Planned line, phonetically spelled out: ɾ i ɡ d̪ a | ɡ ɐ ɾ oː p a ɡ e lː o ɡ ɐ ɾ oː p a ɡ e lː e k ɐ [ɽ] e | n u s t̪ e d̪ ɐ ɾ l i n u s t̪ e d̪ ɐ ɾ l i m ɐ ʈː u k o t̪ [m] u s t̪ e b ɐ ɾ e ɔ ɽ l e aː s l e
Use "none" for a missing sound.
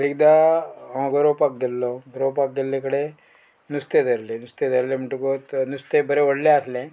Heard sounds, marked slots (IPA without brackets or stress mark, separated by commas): ɽ, n